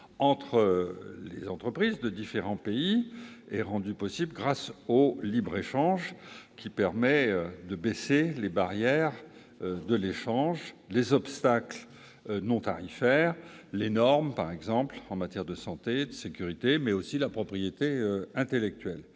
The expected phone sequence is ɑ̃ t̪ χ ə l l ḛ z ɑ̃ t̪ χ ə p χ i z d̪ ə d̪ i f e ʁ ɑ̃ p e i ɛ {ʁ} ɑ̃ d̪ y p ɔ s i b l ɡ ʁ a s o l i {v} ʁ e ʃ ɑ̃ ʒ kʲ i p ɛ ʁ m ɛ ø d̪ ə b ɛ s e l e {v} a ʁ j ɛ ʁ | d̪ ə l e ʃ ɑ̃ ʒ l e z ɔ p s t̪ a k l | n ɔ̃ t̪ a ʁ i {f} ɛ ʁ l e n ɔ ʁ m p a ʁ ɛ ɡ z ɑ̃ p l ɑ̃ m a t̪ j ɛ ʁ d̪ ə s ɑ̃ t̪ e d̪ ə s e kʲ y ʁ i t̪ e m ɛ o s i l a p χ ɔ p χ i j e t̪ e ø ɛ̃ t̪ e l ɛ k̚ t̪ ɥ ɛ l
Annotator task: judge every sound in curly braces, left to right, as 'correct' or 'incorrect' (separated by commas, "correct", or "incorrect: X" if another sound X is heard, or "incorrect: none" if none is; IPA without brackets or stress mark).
correct, incorrect: b, incorrect: b, correct